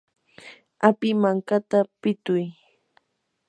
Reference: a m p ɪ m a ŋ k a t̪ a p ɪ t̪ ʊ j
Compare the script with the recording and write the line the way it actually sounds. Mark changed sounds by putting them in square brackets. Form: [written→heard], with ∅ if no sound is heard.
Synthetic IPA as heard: a [m→∅] p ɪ m a ŋ k a t̪ a p ɪ t̪ ʊ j